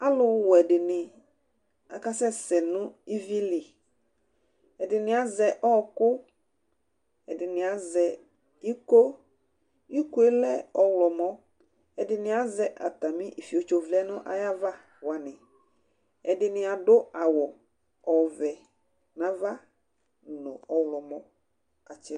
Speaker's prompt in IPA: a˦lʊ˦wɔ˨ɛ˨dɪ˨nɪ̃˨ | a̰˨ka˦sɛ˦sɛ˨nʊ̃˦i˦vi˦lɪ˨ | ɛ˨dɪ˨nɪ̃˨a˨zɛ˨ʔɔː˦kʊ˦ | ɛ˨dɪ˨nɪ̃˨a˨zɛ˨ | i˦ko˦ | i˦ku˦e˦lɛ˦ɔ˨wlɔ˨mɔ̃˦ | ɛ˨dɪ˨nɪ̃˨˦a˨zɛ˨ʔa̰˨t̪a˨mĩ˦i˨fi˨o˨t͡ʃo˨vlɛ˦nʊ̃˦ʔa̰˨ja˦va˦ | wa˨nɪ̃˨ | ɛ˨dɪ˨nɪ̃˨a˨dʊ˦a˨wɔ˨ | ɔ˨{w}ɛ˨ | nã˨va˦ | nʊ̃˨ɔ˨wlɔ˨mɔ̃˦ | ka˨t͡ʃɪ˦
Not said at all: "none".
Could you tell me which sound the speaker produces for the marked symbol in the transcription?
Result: v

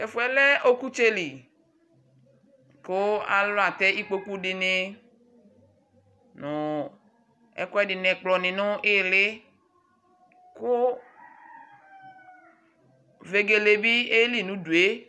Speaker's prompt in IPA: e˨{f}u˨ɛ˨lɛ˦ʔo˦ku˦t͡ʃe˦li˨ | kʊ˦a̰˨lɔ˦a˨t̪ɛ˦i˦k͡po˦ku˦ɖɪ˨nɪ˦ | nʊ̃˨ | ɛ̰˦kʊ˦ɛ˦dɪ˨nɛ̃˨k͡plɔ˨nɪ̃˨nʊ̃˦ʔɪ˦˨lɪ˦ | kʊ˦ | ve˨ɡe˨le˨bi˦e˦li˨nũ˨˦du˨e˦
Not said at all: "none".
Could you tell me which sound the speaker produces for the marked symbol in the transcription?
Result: f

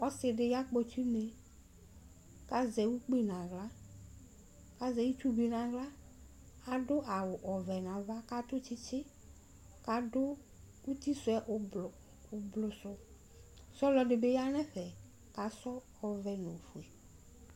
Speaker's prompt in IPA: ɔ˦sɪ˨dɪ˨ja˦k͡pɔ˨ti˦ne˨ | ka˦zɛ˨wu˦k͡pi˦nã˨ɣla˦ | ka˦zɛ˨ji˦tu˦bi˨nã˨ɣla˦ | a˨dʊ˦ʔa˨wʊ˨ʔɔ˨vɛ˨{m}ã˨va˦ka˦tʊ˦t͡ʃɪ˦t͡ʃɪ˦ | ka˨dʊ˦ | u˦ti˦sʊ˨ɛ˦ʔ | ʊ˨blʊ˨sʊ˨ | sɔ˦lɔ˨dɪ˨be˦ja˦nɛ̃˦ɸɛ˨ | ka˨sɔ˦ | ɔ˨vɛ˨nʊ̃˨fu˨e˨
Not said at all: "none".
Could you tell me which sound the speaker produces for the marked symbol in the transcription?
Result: n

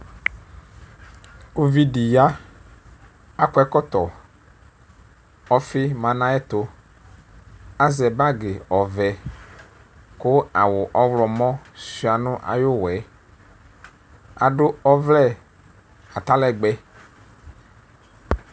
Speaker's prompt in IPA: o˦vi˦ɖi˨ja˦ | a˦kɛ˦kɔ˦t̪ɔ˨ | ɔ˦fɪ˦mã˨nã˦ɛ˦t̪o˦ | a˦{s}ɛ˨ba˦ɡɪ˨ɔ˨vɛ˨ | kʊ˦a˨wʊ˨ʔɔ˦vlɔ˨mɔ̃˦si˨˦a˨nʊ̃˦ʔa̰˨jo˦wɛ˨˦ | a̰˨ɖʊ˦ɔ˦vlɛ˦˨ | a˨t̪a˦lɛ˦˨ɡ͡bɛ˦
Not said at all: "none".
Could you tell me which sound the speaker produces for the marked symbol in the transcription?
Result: z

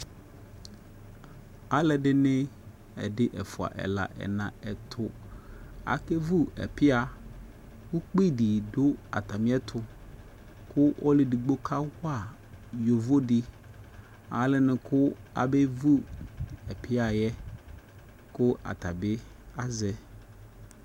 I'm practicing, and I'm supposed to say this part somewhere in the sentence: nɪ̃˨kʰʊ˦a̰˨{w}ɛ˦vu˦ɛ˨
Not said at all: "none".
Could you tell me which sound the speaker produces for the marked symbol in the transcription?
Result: b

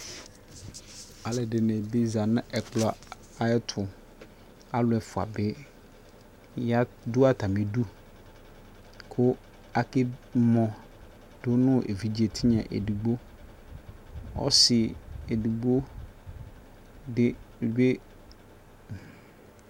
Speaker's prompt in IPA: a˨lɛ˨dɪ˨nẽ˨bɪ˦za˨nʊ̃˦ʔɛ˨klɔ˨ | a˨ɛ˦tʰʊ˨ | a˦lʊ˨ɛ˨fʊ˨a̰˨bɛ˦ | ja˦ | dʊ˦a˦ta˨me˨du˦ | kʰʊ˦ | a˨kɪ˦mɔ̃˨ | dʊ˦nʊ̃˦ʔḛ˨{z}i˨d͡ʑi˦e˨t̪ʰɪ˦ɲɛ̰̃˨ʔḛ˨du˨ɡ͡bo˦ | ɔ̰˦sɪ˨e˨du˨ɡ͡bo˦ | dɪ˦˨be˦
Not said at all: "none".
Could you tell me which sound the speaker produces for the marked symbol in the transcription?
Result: v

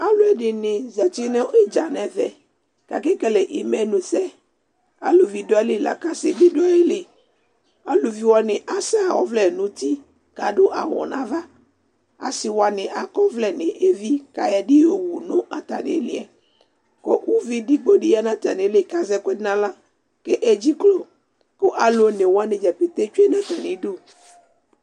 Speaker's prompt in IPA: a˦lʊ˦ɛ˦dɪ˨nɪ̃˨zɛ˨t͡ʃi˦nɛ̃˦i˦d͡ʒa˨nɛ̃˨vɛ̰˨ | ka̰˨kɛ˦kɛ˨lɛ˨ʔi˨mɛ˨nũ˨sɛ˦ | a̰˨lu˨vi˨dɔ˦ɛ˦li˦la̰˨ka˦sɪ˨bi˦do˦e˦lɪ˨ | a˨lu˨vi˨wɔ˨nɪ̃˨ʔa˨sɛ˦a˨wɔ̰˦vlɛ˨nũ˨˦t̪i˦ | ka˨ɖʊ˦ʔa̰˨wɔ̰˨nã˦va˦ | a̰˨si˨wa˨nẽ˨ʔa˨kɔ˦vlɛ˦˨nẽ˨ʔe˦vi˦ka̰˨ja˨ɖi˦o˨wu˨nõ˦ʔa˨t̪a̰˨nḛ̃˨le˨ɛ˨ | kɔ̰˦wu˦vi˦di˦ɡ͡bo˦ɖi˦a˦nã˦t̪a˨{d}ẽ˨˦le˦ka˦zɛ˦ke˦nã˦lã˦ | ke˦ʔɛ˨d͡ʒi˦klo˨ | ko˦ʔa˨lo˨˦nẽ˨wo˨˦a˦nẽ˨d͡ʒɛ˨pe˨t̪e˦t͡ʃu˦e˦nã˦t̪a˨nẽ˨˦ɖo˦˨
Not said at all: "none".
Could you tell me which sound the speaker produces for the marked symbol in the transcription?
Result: n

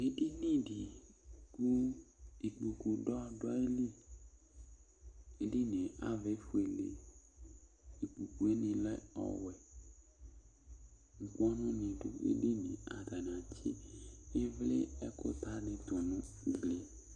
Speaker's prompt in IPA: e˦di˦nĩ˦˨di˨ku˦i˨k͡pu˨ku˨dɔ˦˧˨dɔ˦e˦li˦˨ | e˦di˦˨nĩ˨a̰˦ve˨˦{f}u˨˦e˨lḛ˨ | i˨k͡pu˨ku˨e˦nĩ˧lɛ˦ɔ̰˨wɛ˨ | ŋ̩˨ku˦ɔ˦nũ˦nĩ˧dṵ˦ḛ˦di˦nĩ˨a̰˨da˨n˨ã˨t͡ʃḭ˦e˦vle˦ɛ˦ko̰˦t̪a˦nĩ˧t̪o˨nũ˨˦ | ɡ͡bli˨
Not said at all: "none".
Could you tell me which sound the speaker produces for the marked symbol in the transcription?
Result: f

